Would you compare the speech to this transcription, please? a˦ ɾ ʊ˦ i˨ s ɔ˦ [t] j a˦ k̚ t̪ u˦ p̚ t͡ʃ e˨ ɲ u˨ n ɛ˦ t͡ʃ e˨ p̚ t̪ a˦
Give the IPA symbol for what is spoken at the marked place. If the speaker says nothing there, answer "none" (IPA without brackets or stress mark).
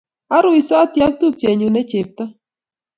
t